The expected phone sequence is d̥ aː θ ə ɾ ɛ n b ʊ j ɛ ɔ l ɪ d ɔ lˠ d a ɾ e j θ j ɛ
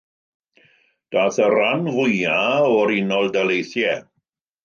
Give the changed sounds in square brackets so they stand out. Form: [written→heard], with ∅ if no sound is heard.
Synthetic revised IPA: d̥ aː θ ə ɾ [ɛ→a] n [b→v] ʊ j [ɛ→a] ɔ [l→ɾ] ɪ [d→n] ɔ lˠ d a [ɾ→l] e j θ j ɛ